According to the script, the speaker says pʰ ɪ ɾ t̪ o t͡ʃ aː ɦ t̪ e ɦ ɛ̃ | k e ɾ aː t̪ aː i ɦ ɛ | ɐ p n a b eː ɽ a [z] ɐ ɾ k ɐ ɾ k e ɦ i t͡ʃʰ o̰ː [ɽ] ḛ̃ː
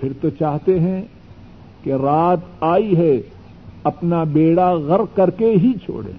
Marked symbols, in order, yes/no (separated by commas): no, yes